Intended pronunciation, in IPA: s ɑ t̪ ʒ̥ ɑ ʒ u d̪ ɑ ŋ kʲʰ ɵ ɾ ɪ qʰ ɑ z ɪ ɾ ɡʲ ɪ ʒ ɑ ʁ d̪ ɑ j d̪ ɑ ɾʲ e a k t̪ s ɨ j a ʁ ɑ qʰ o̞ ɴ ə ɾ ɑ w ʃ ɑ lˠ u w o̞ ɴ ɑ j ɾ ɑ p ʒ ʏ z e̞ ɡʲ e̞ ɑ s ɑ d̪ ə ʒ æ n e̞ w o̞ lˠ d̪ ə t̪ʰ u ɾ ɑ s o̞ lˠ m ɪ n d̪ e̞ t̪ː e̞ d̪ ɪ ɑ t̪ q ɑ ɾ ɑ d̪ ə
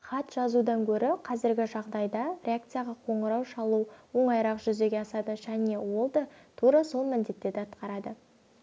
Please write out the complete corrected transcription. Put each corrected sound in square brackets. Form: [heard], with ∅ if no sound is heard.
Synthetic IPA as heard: [χ] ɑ t̪ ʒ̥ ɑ [z] u d̪ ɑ ŋ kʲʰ ɵ ɾ ɪ qʰ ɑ z ɪ ɾ ɡʲ ɪ ʒ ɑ ʁ d̪ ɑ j d̪ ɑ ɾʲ e a k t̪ s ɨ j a ʁ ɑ qʰ o̞ ɴ ə ɾ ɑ w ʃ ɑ lˠ u w o̞ ɴ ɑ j ɾ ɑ [q] ʒ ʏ z e̞ ɡʲ e̞ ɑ s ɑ d̪ ə ʒ æ n e̞ w o̞ lˠ d̪ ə t̪ʰ u ɾ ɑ s o̞ lˠ m ɪ n d̪ e̞ t̪ː e̞ d̪ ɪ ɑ t̪ q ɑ ɾ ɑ d̪ ə